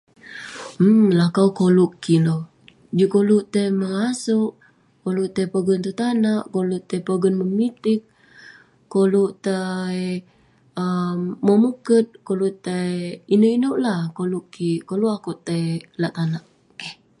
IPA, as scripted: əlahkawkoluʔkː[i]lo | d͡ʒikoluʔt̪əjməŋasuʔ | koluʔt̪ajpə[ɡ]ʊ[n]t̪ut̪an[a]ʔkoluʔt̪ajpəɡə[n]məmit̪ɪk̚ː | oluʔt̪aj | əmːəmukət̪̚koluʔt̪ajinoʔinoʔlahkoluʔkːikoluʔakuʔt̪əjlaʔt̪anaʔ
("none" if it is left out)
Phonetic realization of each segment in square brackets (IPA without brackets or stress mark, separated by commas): i, ɡ, n, a, n